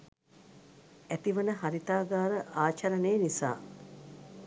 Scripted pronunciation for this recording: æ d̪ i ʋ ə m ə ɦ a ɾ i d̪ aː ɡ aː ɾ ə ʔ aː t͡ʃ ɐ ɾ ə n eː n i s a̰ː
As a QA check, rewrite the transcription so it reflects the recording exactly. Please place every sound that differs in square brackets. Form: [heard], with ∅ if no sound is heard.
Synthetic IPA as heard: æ [t̪] i ʋ ə [n] ə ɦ a ɾ i [t̪] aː ɡ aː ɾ ə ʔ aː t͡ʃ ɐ ɾ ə n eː n i s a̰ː